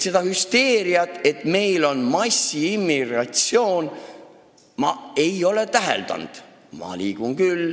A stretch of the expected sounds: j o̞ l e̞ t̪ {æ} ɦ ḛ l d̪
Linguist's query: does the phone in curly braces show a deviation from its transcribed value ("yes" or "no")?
no